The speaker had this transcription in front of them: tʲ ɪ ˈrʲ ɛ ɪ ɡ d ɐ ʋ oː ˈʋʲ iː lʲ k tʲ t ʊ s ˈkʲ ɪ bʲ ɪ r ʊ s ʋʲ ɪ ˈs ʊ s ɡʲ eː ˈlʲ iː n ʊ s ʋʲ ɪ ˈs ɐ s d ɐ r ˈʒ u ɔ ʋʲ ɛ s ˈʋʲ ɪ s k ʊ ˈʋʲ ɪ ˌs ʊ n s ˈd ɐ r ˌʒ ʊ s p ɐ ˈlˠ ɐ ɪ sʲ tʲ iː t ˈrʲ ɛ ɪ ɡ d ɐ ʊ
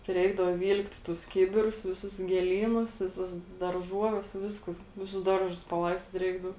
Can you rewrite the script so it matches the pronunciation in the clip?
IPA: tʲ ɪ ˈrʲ ɛ ɪ ɡ d ɐ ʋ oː ˈʋʲ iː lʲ k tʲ t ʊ s ˈkʲ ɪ bʲ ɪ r ʊ s ʋʲ ɪ ˈs ʊ s ɡʲ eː ˈlʲ iː n ʊ s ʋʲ ɪ ˈs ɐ s d ɐ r ˈʒ u ɔ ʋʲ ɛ s ˈʋʲ ɪ s k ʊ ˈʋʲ ɪ ˌs ʊ s ˈd ɐ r ˌʒ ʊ s p ɐ ˈlˠ ɐ ɪ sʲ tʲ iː t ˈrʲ ɛ ɪ ɡ d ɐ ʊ